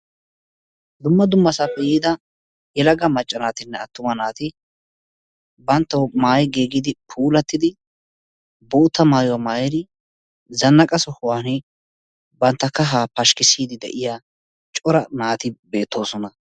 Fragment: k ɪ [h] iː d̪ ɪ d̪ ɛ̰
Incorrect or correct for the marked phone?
incorrect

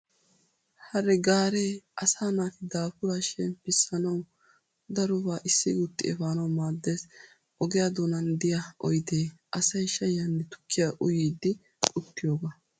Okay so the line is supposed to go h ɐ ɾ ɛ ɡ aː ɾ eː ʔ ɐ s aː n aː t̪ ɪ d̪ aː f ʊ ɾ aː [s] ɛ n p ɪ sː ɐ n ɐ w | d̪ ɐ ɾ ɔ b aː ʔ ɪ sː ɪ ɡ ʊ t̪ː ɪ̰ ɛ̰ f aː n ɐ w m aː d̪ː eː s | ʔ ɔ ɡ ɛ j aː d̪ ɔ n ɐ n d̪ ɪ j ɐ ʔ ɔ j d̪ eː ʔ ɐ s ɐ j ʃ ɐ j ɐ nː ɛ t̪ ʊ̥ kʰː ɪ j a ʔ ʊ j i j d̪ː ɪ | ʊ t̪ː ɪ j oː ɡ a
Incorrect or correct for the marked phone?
incorrect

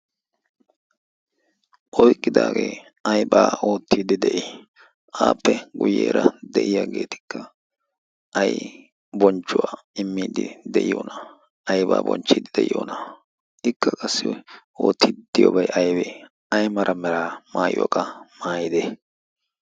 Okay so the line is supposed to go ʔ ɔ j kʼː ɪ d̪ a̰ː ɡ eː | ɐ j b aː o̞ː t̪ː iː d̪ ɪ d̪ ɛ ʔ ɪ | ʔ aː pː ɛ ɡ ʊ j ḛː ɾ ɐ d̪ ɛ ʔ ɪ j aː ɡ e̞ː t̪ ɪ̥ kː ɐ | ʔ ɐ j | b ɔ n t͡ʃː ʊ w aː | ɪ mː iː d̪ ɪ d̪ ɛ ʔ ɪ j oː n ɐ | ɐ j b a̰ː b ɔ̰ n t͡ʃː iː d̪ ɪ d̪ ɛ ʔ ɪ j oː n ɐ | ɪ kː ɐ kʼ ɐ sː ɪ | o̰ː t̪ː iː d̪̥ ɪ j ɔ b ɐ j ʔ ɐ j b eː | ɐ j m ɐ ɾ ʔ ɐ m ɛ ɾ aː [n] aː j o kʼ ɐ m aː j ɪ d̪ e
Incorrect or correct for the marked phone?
incorrect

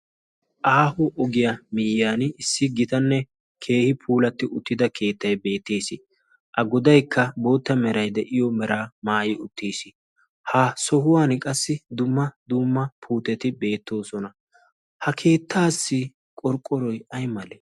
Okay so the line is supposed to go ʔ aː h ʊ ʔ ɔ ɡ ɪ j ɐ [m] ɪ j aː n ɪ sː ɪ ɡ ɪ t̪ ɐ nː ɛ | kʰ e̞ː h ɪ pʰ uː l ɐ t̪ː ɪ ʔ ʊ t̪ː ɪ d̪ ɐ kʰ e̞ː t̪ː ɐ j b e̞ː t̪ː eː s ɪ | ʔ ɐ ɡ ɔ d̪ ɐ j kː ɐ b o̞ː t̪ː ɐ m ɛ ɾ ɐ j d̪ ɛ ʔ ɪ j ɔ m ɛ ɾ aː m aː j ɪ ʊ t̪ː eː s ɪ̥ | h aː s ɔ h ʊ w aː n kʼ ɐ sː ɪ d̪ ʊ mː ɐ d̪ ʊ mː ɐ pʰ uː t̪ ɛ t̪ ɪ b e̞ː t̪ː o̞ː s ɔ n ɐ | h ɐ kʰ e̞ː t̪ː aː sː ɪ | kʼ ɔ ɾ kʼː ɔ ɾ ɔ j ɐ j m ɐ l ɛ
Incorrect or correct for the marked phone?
correct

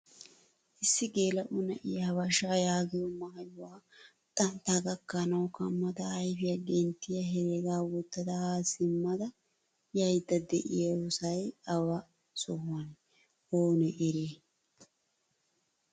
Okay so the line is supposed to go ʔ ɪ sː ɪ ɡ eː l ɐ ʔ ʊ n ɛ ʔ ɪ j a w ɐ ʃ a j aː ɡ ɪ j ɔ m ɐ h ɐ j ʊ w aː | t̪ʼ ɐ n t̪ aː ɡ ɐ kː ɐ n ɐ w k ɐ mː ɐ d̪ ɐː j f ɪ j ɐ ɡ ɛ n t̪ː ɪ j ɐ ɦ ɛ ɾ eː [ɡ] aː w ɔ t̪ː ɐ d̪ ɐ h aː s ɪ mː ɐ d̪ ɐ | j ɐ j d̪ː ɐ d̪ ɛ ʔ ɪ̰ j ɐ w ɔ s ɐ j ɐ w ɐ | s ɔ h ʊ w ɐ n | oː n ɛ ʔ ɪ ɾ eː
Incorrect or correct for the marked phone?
correct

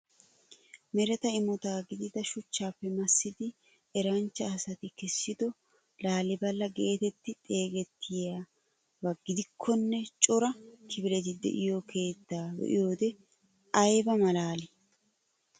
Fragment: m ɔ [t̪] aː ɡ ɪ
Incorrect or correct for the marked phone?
correct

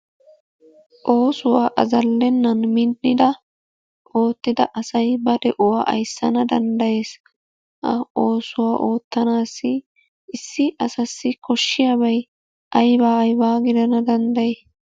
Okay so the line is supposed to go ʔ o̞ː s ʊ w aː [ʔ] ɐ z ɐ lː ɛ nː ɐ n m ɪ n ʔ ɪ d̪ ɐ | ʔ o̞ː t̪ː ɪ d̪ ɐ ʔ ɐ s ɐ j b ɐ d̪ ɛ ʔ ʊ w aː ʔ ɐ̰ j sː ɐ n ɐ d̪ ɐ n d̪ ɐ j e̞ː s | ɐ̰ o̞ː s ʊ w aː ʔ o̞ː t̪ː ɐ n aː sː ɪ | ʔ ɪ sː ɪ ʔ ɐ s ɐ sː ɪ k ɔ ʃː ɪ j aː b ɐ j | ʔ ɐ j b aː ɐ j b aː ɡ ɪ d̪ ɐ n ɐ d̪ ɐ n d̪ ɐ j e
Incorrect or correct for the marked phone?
correct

